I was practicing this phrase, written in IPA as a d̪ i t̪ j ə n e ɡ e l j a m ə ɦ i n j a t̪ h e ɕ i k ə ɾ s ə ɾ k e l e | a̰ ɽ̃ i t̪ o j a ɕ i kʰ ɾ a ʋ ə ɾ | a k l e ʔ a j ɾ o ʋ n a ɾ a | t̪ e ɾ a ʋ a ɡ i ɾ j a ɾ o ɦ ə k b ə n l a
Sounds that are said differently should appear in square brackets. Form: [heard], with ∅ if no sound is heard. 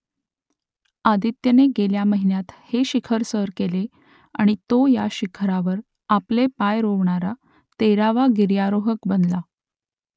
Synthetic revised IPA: a d̪ i t̪ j ə n e ɡ e l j a m ə ɦ i n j a t̪ h e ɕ i [kʰ] ə ɾ s ə ɾ k e l e | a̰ ɽ̃ i t̪ o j a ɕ i kʰ ɾ a ʋ ə ɾ | a [p] l e [p] a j ɾ o ʋ [ɳ] a ɾ a | t̪ e ɾ a ʋ a ɡ i ɾ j a ɾ o ɦ ə k b ə n l a

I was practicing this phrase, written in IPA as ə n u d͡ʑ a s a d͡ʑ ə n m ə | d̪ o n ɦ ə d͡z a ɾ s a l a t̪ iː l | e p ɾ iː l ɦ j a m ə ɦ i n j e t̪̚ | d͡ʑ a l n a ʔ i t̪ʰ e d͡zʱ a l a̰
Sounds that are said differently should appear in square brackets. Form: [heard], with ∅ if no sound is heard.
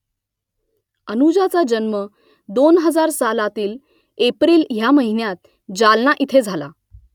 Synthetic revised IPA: ə n u d͡ʑ a [t͡s] a d͡ʑ ə n m ə | d̪ o n ɦ ə d͡z a ɾ s a l a t̪ iː l | e p ɾ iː l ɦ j a m ə ɦ i n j [a] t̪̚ | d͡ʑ a l n a ʔ i t̪ʰ e d͡zʱ a l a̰

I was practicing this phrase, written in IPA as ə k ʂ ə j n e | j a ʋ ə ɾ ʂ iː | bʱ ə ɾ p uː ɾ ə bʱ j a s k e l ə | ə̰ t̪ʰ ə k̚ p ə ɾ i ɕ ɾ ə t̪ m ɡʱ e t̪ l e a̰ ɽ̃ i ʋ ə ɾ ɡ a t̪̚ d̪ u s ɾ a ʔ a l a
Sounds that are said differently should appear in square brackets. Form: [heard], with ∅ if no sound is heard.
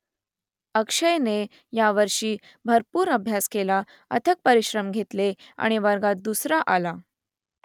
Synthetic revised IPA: ə k ʂ ə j n e | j a ʋ ə ɾ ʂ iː | bʱ ə ɾ p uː ɾ ə bʱ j a s k e l [a] | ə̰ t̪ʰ ə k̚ p ə ɾ i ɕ ɾ ə [∅] m ɡʱ e t̪ l e a̰ ɽ̃ i ʋ ə ɾ ɡ a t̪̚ d̪ u s ɾ a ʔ a l a

